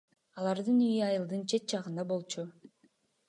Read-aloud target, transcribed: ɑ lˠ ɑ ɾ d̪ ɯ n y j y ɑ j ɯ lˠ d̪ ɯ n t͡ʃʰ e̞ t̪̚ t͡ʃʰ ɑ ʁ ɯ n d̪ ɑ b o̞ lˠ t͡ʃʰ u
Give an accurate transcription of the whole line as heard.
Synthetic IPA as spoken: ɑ lˠ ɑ ɾ d̪ ɯ n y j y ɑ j ɯ lˠ d̪ ɯ n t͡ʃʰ e̞ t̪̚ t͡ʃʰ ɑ ʁ ɯ n d̪ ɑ b o̞ lˠ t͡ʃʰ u